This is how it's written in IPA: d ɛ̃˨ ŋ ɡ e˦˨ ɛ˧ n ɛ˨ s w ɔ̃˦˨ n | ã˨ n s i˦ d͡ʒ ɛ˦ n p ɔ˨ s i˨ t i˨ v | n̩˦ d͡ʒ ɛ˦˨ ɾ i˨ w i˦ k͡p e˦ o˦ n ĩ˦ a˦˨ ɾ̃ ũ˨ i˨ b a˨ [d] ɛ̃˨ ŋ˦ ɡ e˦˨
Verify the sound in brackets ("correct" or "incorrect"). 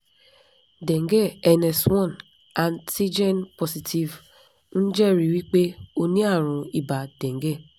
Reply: correct